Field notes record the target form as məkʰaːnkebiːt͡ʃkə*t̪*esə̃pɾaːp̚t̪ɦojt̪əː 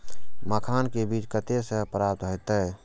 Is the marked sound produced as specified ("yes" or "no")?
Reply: yes